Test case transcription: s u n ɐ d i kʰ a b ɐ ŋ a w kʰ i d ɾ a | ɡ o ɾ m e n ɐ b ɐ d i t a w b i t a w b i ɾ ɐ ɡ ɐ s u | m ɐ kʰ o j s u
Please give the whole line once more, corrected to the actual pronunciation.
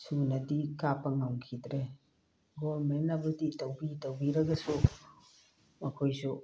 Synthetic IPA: s u n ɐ d i k a p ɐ ŋ a w kʰ i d ɾ e | ɡ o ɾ m e n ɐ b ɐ d i t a w b i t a w b i ɾ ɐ ɡ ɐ s u | m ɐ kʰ o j s u